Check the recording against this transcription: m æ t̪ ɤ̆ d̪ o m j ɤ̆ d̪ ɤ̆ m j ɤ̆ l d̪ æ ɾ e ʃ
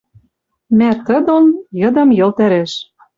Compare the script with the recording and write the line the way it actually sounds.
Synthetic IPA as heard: m æ t̪ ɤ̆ d̪ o n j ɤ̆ d̪ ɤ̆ m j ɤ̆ l t̪ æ ɾ e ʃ